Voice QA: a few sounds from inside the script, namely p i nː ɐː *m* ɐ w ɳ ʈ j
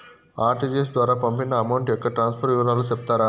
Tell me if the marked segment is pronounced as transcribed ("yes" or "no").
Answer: yes